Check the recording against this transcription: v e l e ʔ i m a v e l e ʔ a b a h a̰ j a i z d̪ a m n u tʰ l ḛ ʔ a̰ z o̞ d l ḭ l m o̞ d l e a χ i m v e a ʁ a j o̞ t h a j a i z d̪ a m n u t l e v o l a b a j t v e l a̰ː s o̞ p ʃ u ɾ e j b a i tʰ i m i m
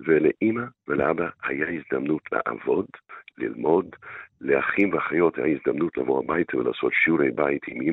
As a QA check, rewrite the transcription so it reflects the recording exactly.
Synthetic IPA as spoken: v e l e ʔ i m a v e l e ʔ a b a h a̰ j a i z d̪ a m n u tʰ l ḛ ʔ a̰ v o̞ d l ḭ l m o̞ d l e a χ i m v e a χ a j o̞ t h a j a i z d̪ a m n u t l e v o a b a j t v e l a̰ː s o̞ t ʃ u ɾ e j b a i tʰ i m i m